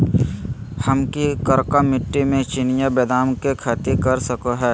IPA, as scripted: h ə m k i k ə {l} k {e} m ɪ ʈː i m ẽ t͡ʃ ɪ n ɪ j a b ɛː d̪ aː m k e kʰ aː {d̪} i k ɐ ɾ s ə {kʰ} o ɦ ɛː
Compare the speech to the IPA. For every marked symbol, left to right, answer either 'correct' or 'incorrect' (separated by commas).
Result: incorrect, incorrect, incorrect, incorrect